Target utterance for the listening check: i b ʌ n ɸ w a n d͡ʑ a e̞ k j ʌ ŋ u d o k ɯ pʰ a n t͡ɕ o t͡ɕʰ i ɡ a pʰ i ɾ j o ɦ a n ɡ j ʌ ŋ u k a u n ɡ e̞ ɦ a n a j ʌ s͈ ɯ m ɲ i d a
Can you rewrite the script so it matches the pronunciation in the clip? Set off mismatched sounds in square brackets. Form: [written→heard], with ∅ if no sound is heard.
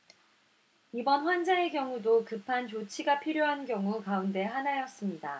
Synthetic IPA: i b ʌ n ɸ w a n d͡ʑ a e̞ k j ʌ ŋ u d o k ɯ pʰ a n t͡ɕ o t͡ɕʰ i ɡ a pʰ i ɾ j o ɦ a n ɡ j ʌ ŋ u k a u n [ɡ→d] e̞ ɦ a n a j ʌ s͈ ɯ m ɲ i d a